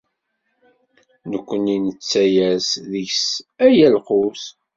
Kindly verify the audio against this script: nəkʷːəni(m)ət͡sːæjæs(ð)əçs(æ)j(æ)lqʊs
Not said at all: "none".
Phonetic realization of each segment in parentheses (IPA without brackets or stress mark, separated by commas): n, ð, æ, æ